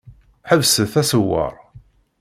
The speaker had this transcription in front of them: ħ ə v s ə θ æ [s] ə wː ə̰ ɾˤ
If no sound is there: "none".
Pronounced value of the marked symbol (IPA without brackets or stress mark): s